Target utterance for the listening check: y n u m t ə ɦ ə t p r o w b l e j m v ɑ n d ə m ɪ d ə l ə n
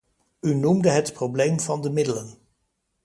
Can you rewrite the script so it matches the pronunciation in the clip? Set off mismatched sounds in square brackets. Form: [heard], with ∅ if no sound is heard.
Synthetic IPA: y n u m [d] ə ɦ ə t p r o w b l e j m v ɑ n d ə m ɪ d ə l ə n